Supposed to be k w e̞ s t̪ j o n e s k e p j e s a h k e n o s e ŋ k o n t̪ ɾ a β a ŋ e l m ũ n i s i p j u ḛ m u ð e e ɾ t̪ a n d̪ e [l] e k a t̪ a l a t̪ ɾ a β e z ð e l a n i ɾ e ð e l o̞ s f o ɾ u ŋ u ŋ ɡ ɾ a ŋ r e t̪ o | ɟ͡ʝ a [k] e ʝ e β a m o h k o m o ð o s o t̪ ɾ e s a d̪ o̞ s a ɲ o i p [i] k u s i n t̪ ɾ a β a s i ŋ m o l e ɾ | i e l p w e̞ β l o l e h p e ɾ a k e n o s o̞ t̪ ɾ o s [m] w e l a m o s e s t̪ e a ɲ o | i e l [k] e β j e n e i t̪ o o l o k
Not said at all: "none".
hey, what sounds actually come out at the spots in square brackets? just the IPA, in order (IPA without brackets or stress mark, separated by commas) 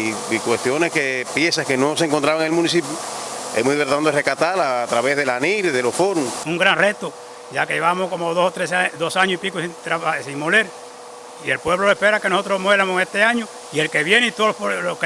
r, k, i, m, k